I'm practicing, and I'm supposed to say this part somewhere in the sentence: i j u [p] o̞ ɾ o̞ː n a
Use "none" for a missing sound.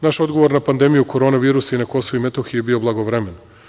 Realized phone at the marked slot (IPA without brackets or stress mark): k